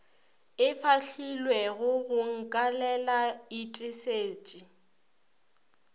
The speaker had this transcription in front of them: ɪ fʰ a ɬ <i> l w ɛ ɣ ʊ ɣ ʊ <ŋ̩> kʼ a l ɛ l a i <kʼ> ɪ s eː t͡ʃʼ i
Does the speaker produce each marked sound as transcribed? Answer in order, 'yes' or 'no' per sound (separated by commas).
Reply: yes, yes, no